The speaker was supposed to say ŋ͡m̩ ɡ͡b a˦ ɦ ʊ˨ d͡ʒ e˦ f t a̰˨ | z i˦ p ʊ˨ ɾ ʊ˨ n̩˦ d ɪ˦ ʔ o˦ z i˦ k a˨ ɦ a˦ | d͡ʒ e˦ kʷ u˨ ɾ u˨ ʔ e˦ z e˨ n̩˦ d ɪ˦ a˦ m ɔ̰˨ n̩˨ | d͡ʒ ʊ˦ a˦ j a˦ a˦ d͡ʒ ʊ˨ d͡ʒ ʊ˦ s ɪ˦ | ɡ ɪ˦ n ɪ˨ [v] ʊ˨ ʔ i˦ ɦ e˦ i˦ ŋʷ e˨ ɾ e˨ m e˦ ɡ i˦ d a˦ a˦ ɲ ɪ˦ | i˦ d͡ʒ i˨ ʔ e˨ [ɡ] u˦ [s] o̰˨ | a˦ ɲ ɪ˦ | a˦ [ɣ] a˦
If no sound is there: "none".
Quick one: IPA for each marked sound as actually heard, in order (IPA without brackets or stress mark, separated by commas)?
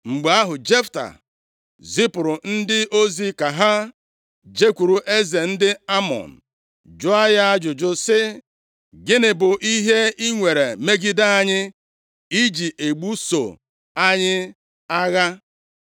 b, ɡ͡b, s, ɣ